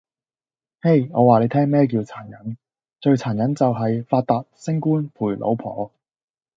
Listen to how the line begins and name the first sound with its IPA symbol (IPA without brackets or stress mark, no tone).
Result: h